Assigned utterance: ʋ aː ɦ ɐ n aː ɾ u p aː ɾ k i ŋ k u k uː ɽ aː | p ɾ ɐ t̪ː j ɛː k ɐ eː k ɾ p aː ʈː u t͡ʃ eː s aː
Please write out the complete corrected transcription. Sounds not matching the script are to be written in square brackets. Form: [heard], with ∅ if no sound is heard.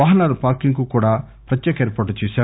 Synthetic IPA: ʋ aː ɦ ɐ n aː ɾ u p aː ɾ k i ŋ k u k uː ɽ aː | p ɾ ɐ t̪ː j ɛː k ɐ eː [∅] ɾ p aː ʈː u t͡ʃ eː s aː